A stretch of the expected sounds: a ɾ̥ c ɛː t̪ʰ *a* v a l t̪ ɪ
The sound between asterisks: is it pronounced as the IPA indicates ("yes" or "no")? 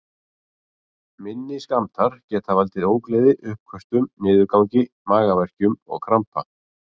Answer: yes